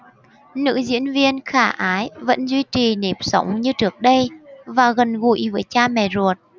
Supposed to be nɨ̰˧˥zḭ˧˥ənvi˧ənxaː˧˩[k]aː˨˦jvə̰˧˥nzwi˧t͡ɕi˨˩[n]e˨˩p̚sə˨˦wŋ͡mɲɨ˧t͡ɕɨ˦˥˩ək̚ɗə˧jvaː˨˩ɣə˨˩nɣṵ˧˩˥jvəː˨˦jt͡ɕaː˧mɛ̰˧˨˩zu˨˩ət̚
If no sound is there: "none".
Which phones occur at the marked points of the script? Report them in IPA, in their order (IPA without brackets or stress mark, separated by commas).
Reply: ʔ, n